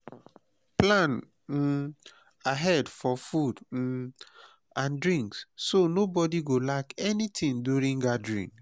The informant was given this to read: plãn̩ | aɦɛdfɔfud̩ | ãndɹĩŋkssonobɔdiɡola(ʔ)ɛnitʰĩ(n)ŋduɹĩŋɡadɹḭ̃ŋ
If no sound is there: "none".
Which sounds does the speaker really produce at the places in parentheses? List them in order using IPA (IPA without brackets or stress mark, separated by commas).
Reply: k, none